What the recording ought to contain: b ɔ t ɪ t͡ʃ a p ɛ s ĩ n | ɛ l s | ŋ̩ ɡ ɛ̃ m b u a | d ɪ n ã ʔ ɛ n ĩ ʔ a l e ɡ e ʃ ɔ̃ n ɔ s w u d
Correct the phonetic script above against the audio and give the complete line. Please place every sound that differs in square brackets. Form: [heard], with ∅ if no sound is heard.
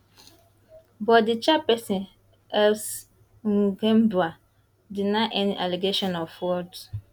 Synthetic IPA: b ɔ [d] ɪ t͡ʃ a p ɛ s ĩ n | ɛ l s | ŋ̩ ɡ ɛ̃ m b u a | d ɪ n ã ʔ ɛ n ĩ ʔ a l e ɡ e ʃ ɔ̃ n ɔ [f] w [ɔ] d